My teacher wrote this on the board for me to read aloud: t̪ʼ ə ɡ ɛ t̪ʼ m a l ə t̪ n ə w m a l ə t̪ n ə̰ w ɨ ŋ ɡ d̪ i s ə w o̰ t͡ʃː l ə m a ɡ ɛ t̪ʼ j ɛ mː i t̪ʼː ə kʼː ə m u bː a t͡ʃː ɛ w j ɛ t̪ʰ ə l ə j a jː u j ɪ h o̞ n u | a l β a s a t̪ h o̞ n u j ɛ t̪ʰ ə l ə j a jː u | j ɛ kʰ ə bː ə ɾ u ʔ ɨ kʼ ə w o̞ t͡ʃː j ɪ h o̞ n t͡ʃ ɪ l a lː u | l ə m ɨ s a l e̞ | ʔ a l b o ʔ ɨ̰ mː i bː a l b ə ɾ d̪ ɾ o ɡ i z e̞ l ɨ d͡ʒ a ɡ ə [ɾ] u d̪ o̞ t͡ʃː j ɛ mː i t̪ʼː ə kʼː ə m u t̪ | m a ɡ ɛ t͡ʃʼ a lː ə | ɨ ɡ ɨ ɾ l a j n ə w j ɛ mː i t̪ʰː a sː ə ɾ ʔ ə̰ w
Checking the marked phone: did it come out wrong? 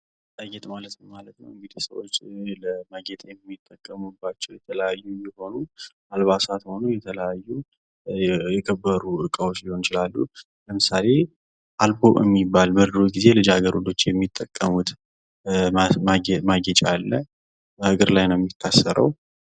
no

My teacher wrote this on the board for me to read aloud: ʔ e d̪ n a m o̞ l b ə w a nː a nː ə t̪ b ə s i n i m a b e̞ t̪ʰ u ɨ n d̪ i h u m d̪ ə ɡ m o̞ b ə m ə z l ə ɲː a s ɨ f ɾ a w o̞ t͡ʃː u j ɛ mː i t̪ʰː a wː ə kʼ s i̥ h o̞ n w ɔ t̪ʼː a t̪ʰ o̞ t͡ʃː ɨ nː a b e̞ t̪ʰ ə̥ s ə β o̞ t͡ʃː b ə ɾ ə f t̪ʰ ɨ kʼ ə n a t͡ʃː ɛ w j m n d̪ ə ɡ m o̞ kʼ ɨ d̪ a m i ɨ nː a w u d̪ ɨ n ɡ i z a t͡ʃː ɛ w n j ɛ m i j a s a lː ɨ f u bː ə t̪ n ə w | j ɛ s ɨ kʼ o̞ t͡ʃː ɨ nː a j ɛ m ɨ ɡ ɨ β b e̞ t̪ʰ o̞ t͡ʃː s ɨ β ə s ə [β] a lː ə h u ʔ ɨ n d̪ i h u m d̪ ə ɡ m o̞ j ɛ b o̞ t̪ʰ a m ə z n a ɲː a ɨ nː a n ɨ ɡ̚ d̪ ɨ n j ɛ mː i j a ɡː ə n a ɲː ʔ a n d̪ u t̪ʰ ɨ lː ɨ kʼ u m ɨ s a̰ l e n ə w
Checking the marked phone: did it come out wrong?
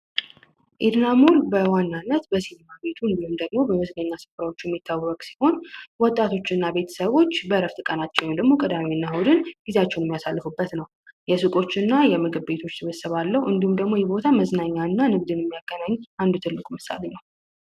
no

